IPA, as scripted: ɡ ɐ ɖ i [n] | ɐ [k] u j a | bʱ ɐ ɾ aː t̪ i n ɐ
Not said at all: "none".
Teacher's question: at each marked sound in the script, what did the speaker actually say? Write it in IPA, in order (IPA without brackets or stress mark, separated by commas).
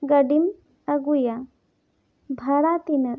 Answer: m, ɡ